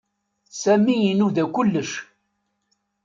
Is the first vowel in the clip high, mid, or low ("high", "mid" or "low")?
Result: low